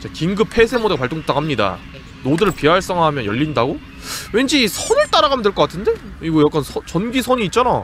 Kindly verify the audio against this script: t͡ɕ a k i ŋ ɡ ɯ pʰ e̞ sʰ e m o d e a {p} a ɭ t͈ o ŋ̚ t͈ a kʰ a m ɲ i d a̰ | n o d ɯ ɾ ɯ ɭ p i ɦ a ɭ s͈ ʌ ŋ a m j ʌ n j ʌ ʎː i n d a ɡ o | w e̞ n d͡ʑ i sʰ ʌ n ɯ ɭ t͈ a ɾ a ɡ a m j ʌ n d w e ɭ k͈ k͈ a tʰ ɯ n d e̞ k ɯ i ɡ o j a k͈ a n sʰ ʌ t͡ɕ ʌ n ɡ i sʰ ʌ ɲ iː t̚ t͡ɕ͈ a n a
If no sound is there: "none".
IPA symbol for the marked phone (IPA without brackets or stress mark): p